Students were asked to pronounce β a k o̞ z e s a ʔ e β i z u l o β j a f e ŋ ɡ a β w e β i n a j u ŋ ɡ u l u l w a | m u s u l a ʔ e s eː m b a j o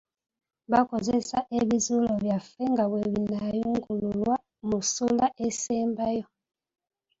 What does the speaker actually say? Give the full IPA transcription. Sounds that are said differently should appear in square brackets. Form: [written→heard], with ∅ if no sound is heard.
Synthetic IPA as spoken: β a k o̞ z e s a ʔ e β i z u l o β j a f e ŋ ɡ a β w e β i n a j u ŋ ɡ u l u l w a | m u s u l a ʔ e s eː m b a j o